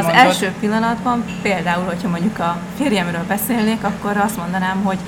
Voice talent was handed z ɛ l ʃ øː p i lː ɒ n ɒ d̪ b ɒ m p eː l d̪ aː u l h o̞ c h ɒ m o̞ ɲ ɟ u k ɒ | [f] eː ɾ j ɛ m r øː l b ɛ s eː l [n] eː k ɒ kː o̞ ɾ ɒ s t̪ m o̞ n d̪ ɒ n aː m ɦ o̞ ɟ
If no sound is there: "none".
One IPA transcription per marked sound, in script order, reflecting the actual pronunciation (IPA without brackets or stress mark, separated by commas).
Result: f, n